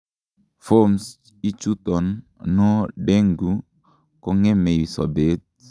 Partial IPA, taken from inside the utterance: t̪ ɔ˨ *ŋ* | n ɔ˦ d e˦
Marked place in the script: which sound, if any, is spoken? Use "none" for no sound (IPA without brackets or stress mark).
n